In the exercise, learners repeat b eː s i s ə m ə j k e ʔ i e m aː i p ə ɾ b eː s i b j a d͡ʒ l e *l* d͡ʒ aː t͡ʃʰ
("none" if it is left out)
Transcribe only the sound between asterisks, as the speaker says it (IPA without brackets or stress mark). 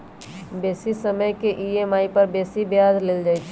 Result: l